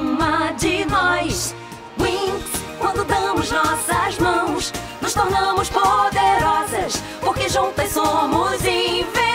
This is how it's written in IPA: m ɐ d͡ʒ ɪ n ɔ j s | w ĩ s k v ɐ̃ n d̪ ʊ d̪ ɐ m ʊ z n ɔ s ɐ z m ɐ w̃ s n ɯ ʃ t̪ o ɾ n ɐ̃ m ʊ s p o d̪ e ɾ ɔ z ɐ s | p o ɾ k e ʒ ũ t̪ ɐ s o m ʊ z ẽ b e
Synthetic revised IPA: m ɐ d͡ʒ ɪ n ɔ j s | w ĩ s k w ɐ̃ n d̪ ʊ d̪ ɐ̃ m ʊ z n ɔ s ɐ z m ɐ̃ w̃ s n ʊ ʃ t̪ o ɾ n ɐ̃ m ʊ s p o d̪ e ɾ ɔ z ɐ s | p o ɾ k e ʒ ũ t̪ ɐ s o m ʊ z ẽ v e

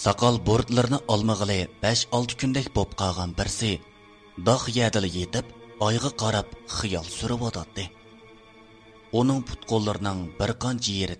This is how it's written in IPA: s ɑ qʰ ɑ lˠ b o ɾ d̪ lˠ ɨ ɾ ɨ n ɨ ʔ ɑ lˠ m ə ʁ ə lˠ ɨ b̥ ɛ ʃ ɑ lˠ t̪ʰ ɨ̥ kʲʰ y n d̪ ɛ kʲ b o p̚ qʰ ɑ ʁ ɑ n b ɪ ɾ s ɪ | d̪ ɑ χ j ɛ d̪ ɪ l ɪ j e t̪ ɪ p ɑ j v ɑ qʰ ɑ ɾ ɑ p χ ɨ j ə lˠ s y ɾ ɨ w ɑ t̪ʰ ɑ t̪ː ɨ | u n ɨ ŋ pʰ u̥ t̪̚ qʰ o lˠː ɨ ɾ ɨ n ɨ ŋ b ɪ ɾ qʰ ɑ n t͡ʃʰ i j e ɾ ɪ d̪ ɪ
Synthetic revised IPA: s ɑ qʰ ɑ lˠ b o ɾ d̪ lˠ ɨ ɾ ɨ n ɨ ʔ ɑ lˠ m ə ʁ ə lˠ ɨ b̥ ɛ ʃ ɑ lˠ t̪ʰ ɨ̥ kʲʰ y n d̪ ɛ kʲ b o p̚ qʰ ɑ ʁ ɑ n b ɪ ɾ s ɪ | d̪ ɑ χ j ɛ d̪ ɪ l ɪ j e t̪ ɪ p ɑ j ʁ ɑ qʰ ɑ ɾ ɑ p χ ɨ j ɑ lˠ s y ɾ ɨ w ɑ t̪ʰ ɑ t̪ː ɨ | u n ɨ ŋ pʰ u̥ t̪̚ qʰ o lˠː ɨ ɾ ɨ n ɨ ŋ b ɪ ɾ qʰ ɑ n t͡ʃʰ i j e ɾ ɪ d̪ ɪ

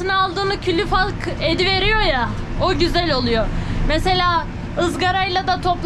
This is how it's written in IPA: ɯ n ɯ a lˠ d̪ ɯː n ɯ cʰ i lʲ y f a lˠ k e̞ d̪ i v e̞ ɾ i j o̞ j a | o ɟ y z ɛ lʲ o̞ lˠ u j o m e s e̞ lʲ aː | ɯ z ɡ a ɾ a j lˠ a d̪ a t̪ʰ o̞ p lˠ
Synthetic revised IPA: ɯ n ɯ a lˠ d̪ ɯː n ɯ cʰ y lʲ y f a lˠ k e̞ d̪ i v e̞ ɾ i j o̞ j a | o ɟ y z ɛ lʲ o̞ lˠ u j o m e s e̞ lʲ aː | ɯ z ɡ a ɾ a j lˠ a d̪ a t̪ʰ o̞ p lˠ

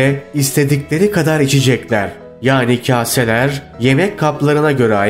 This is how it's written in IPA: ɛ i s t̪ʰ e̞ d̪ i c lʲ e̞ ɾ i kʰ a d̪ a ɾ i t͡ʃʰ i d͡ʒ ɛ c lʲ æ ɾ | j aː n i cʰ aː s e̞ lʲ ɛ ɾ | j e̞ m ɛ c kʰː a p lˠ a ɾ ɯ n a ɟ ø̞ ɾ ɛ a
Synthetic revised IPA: ɛ i s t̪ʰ e̞ d̪ i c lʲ e̞ ɾ i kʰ a d̪ a ɾ i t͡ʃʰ i d͡ʒ ɛ c lʲ æ ɾ | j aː n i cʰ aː s e̞ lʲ æ ɾ | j e̞ m ɛ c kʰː a p lˠ a ɾ ɯ n a ɟ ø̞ ɾ ɛ a

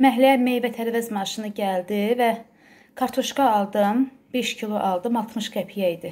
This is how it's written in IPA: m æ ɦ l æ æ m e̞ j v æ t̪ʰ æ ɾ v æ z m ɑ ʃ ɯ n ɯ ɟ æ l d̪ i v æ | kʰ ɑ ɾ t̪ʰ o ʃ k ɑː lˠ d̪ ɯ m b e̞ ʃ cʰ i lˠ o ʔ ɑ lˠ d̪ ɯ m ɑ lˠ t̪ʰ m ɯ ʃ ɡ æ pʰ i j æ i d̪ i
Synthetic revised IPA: m æ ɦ l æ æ m e̞ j v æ t̪ʰ æ ɾ v æ z m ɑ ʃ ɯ n ɯ ɟ æ l d̪ i v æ | kʰ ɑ ɾ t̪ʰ o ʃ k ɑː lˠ d̪ ɯ m b e̞ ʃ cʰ i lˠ o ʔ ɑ lˠ d̪ ɯ m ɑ lˠ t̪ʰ m ɯ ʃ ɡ æ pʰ i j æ i d̪ i

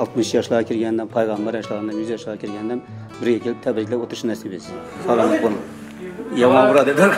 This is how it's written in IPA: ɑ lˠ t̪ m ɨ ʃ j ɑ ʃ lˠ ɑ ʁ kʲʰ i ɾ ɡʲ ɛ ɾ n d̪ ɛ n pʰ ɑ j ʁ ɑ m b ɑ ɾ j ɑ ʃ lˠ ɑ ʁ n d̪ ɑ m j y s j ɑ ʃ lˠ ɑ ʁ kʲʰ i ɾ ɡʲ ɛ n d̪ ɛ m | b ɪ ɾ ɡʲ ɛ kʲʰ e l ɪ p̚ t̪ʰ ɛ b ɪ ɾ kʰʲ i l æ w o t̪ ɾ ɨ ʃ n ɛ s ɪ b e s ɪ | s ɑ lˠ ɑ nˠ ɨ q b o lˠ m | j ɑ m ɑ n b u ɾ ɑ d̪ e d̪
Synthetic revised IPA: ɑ lˠ t̪ m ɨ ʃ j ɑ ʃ lˠ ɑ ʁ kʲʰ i ɾ ɡʲ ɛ n d̪ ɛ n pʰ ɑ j ʁ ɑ m b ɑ ɾ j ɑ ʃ lˠ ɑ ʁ n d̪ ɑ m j y z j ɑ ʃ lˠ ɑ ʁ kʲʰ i ɾ ɡʲ ɛ n d̪ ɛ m | b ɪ ɾ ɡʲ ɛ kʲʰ e l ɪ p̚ t̪ʰ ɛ b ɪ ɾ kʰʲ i l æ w o t̪ ɾ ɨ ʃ n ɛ s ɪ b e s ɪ | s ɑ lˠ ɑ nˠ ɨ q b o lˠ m | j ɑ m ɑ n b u ɾ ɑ d̪ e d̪

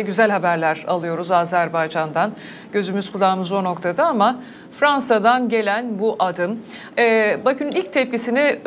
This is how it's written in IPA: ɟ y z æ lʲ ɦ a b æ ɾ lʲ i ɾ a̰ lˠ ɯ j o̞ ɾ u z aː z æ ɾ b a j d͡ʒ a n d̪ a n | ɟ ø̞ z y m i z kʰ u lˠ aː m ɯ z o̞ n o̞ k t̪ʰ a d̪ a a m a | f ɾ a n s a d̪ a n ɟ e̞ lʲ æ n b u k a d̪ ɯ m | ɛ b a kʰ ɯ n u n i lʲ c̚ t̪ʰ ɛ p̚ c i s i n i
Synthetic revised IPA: ɟ y z æ lʲ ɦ a b æ ɾ lʲ æ ɾ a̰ lˠ ɯ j o̞ ɾ u z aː z æ ɾ b a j d͡ʒ a n d̪ a n | ɟ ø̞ z y m y z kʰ u lˠ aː m ɯ z o̞ n o̞ k t̪ʰ a d̪ a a m a | f ɾ a n s a d̪ a n ɟ e̞ lʲ æ n b u ʔ a d̪ ɯ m | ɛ b a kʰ ɯ n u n i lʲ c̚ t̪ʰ ɛ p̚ c i s i n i

